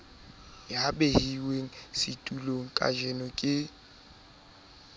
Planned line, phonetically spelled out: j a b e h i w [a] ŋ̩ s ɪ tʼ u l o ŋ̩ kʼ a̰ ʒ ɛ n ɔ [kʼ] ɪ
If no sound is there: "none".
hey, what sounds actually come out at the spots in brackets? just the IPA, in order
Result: e, kʼ

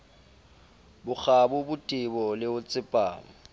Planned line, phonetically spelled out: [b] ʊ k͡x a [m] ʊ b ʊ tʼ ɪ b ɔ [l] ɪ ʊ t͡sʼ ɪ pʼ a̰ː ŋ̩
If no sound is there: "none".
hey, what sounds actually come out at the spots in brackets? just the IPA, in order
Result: b, b, l

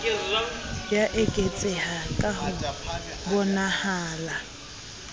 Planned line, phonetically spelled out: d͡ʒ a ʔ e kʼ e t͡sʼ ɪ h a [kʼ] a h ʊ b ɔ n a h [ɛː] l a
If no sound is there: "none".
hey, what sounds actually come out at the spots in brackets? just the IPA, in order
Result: kʼ, aː

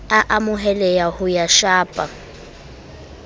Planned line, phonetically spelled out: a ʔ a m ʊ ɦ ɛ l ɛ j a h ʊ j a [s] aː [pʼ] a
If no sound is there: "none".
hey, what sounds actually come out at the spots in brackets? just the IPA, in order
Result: ʃ, pʼ

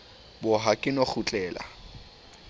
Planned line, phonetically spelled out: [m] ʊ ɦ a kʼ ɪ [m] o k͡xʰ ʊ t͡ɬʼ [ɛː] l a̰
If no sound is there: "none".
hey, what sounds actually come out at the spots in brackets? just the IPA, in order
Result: b, n, ɛː

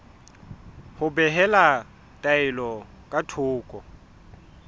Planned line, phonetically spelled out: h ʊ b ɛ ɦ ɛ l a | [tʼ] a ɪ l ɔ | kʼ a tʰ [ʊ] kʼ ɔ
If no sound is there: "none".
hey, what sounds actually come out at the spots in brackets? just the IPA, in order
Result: tʼ, ʊː

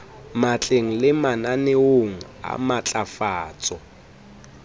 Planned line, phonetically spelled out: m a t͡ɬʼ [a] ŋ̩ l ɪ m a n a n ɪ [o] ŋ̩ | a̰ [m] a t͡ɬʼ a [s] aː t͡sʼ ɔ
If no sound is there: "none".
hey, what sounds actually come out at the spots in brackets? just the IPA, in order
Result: e, o, m, f

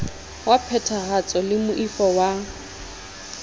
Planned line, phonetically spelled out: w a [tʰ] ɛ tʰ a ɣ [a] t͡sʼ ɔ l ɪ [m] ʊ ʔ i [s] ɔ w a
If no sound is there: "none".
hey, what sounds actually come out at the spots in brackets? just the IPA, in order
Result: pʰ, a, m, f

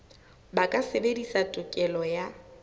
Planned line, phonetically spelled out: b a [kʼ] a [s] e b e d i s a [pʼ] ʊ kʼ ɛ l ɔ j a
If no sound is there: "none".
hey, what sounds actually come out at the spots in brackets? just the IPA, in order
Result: kʼ, s, tʼ

